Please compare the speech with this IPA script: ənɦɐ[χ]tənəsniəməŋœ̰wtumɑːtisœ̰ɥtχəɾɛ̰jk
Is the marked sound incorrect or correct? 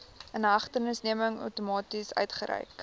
correct